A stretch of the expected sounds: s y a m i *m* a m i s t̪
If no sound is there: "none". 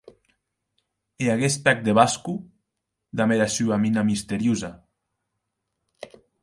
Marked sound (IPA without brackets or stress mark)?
n